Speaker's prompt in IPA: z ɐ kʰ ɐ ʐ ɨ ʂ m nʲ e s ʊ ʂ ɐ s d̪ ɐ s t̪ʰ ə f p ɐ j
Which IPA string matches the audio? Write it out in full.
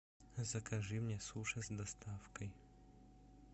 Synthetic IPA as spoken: z ɐ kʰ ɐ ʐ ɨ m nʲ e s u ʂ ɐ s d̪ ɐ s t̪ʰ a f k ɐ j